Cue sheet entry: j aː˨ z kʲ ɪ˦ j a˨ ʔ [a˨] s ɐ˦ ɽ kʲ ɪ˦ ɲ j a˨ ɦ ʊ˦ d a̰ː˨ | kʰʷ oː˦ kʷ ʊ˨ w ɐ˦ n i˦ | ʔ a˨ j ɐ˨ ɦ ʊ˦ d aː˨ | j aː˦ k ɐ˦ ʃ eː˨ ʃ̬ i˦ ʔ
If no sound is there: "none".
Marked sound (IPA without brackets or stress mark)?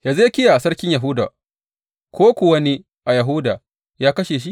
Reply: a˨